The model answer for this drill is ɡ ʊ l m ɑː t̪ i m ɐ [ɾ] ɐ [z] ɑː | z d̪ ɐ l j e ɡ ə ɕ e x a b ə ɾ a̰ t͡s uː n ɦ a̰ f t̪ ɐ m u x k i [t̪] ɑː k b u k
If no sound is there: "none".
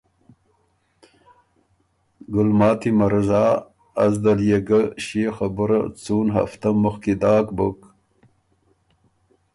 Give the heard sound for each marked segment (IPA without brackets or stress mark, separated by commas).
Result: ɾ, z, d̪